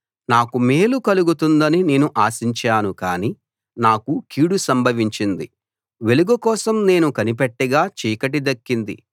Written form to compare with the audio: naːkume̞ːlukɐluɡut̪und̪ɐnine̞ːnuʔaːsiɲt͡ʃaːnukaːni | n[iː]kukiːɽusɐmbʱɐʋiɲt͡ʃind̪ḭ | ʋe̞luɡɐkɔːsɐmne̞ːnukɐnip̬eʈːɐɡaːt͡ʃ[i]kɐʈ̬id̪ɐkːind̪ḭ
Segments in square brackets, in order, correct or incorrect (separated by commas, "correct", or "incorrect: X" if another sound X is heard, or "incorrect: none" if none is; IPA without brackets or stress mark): incorrect: aː, incorrect: iː